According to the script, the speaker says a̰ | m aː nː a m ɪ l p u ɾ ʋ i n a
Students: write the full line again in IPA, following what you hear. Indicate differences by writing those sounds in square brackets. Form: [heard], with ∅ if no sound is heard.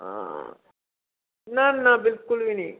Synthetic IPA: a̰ | [n] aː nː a [b] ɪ l [k] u [l] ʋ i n [i]